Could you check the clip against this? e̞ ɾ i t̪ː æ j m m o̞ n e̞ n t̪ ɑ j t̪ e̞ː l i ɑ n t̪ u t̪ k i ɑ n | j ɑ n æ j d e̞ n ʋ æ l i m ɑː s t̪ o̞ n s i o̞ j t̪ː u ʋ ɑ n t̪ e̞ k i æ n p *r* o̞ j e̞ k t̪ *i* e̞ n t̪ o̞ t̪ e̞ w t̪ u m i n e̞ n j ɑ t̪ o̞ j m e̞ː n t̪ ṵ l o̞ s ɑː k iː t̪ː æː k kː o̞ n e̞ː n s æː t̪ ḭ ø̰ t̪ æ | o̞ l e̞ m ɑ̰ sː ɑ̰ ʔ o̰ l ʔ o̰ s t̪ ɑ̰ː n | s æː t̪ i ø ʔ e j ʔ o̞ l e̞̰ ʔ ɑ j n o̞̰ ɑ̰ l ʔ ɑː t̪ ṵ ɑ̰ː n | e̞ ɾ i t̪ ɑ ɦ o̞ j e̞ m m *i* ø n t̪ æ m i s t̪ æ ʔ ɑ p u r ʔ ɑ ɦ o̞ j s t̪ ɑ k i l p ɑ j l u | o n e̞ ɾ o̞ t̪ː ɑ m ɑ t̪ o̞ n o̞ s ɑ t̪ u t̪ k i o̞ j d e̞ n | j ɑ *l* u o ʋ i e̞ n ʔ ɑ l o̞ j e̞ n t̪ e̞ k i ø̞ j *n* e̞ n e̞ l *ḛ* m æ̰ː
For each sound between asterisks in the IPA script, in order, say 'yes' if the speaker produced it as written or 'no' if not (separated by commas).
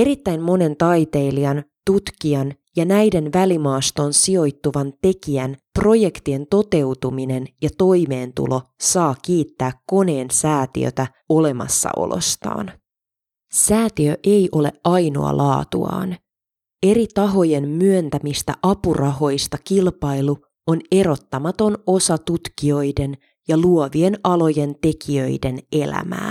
yes, yes, no, yes, no, no